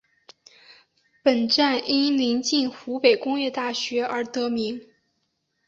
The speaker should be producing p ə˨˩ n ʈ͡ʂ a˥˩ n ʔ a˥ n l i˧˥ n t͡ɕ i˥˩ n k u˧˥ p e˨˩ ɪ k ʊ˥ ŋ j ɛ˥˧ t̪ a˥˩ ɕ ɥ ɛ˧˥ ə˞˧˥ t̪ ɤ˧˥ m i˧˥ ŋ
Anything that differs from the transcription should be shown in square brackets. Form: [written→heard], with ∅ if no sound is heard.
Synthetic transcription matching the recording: p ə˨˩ n ʈ͡ʂ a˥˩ n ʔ [a˥→i˥] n l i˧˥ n t͡ɕ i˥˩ n [k→x] u˧˥ p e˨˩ ɪ k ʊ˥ ŋ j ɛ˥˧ t̪ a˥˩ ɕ ɥ ɛ˧˥ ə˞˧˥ t̪ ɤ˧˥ m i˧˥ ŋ

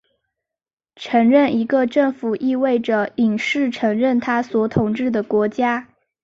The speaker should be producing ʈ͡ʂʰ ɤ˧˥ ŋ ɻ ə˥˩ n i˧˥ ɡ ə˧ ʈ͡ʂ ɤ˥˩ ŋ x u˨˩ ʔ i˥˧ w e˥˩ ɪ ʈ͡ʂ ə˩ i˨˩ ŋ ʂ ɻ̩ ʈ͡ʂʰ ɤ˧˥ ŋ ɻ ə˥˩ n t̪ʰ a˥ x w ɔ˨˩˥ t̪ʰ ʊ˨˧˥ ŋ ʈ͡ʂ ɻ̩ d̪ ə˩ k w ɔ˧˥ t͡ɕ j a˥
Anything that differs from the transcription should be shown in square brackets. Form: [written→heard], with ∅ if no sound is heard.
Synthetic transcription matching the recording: ʈ͡ʂʰ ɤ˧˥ ŋ ɻ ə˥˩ n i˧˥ ɡ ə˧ ʈ͡ʂ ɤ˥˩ ŋ [x→f] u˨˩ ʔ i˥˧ w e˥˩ ɪ ʈ͡ʂ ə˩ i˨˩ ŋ ʂ ɻ̩ ʈ͡ʂʰ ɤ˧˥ ŋ ɻ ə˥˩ n t̪ʰ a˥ [x→s] w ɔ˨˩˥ t̪ʰ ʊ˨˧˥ ŋ ʈ͡ʂ ɻ̩ d̪ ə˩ k w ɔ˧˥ t͡ɕ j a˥

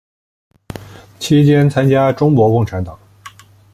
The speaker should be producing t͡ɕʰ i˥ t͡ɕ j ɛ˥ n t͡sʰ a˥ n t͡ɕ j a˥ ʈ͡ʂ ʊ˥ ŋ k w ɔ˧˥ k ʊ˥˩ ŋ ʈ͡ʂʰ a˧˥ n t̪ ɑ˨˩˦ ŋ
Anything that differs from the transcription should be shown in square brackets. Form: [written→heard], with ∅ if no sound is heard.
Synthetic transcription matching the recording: t͡ɕʰ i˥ t͡ɕ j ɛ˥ n t͡sʰ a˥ n t͡ɕ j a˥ ʈ͡ʂ ʊ˥ ŋ k w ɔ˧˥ k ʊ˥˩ ŋ ʈ͡ʂʰ a˧˥ n t̪ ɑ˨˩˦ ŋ

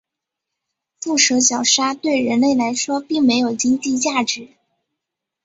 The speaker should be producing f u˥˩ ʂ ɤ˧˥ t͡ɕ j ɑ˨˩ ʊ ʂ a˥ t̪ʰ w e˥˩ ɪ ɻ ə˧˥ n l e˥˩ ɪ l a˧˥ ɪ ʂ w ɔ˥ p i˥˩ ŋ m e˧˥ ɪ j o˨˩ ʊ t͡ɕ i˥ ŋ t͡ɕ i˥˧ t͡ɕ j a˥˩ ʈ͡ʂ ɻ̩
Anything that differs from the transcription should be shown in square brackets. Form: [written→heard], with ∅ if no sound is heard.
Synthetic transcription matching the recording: f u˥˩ ʂ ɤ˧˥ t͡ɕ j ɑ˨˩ ʊ ʂ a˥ [t̪ʰ→t̪] w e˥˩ ɪ ɻ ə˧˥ n l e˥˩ ɪ l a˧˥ ɪ ʂ w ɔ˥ p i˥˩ ŋ m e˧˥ ɪ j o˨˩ ʊ t͡ɕ i˥ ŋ t͡ɕ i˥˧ t͡ɕ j a˥˩ ʈ͡ʂ ɻ̩

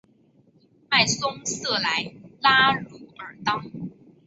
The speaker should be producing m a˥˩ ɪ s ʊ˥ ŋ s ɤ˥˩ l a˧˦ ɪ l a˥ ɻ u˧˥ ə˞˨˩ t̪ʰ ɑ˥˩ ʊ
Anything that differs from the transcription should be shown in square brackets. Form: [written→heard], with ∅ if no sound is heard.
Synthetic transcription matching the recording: m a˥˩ ɪ s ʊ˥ ŋ s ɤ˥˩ l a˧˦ ɪ l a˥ ɻ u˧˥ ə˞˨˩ [t̪ʰ→t̪] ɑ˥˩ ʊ

